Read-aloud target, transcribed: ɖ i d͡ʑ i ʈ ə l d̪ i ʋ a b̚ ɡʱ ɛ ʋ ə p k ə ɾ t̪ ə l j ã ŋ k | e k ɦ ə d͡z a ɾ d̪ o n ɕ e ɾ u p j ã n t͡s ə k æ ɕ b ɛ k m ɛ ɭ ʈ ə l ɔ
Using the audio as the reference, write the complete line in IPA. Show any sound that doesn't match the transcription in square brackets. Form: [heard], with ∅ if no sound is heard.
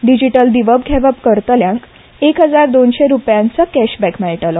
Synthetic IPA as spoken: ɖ i d͡ʑ i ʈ ə l d̪ i ʋ [ə] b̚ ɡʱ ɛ ʋ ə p k ə ɾ t̪ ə l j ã ŋ k | e k ɦ ə d͡z a ɾ d̪ o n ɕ e ɾ u p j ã n t͡s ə k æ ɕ b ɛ k m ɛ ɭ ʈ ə l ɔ